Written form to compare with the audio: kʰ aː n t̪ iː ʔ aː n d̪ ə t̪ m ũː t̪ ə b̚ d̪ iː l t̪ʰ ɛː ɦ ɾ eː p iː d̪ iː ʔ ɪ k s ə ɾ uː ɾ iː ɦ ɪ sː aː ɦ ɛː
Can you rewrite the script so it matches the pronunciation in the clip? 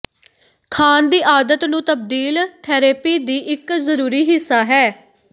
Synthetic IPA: kʰ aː n d̪ iː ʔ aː d̪ ə t̪ n ũː t̪ ə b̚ d̪ iː l t̪ʰ ɛː ɾ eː p iː d̪ iː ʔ ɪ k z ə ɾ uː ɾ iː ɦ ɪ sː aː ɦ ɛː